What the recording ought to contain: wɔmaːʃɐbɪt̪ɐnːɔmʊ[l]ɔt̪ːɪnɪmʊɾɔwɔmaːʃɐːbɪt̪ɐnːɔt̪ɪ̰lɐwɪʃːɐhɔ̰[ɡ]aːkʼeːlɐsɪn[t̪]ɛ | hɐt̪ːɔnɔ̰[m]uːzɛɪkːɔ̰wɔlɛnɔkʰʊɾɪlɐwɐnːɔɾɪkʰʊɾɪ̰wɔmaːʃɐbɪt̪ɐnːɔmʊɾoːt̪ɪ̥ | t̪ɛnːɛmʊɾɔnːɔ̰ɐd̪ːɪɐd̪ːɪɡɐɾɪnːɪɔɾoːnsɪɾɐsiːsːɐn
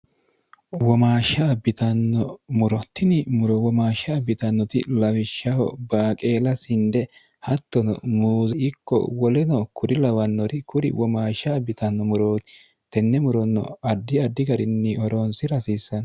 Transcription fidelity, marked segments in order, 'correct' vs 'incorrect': incorrect: ɾ, incorrect: b, incorrect: d̪, correct

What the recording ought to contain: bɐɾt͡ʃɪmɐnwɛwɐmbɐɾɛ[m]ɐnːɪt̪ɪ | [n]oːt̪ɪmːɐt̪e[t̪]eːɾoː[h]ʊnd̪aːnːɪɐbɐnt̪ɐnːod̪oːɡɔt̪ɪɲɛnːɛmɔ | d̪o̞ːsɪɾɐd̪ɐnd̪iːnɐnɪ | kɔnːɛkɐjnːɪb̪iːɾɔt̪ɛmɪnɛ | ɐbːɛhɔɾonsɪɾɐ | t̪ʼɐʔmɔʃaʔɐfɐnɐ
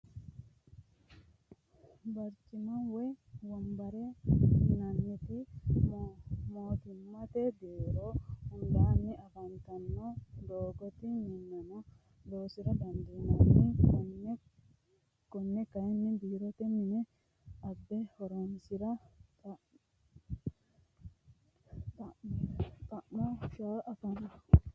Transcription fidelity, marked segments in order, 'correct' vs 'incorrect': incorrect: n, incorrect: m, incorrect: d̪, correct

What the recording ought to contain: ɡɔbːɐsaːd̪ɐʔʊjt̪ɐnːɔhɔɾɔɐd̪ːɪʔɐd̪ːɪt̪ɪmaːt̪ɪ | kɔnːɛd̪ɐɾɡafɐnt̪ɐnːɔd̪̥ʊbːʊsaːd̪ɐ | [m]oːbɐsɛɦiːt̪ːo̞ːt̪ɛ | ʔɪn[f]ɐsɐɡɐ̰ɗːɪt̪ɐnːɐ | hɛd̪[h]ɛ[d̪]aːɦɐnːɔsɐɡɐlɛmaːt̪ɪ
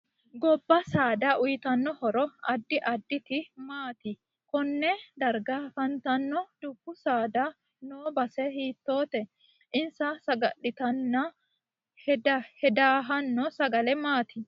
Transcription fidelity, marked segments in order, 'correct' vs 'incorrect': incorrect: n, incorrect: s, correct, correct

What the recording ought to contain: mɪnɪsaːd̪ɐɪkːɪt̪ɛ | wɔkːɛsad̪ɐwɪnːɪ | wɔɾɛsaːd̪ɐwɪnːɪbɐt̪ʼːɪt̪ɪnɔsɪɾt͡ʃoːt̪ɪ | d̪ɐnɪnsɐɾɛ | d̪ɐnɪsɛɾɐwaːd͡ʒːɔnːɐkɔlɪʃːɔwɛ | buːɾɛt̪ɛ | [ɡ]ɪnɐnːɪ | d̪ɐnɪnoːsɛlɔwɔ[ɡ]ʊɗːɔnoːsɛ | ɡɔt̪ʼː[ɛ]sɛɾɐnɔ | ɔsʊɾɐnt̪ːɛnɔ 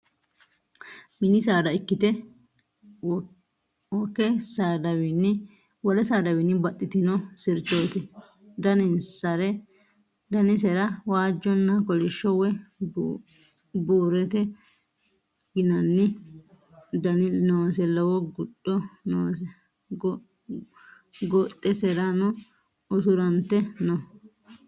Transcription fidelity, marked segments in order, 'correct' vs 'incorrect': correct, correct, correct

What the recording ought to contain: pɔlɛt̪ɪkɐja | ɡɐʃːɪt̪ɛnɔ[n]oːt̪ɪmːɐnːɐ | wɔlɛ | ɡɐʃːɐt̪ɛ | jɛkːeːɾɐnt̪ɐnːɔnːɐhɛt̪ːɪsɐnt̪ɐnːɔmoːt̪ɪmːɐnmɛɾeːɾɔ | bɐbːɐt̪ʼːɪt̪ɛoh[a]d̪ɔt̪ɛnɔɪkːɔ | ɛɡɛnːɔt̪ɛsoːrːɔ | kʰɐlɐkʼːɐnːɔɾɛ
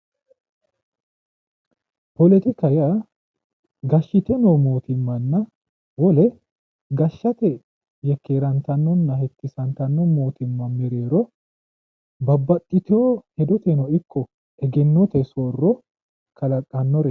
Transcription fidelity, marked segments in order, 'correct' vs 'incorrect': incorrect: m, incorrect: ɛ

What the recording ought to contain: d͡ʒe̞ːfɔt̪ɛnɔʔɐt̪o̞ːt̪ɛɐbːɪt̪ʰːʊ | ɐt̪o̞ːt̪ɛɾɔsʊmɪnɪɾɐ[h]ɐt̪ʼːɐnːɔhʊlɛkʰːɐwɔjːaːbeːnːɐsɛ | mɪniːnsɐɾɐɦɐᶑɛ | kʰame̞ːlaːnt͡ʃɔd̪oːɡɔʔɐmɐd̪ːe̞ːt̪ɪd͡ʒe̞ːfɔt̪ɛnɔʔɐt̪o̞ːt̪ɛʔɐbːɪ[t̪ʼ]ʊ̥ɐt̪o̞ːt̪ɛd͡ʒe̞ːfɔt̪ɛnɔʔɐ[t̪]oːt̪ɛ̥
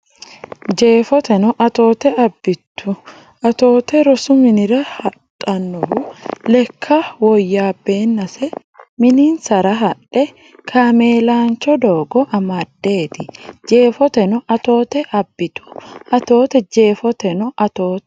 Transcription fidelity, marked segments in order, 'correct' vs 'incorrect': correct, incorrect: t̪, correct

